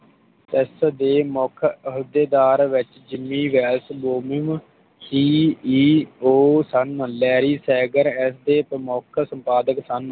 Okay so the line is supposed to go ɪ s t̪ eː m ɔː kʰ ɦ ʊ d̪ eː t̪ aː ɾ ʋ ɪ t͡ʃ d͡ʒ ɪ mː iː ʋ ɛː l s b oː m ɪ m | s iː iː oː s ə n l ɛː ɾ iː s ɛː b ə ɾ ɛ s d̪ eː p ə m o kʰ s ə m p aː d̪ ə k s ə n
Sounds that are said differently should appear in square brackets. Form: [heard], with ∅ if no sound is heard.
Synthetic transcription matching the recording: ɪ s [d̪] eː m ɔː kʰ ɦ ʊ d̪ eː [d̪] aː ɾ ʋ ɪ t͡ʃ d͡ʒ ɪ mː iː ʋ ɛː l s b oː m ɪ m | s iː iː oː s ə n l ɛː ɾ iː s ɛː [ɡ] ə ɾ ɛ s d̪ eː p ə m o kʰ s ə m p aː d̪ ə k s ə n